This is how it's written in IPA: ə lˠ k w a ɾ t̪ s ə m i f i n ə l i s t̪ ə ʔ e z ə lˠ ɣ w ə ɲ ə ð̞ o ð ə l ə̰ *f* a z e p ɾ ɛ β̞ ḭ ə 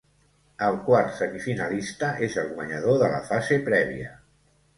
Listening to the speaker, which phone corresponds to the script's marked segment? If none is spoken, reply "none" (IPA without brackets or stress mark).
f